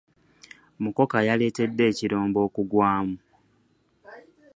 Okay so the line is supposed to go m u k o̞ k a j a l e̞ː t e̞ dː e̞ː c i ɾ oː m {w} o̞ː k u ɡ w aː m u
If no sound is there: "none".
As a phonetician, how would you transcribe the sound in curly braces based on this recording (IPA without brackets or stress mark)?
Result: b